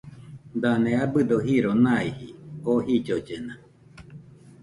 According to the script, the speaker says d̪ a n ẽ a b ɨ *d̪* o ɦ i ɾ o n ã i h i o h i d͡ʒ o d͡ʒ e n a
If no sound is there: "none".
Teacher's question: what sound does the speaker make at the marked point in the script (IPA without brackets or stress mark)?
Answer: d̪